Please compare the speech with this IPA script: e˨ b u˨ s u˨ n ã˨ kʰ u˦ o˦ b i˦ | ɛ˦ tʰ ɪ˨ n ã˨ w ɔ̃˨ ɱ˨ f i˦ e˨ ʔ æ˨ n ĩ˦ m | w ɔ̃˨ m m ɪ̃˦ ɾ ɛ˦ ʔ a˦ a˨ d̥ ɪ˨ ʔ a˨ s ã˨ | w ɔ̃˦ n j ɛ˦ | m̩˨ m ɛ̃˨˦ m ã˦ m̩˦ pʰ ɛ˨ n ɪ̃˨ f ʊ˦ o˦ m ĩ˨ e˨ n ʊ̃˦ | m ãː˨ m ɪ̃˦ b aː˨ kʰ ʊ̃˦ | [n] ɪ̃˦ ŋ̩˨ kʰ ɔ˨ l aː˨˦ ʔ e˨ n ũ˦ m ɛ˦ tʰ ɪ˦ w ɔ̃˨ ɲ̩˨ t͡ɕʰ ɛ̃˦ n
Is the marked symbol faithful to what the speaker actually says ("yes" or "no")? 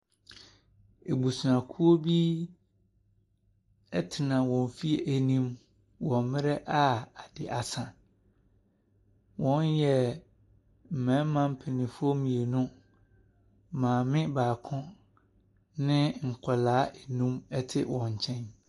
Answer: yes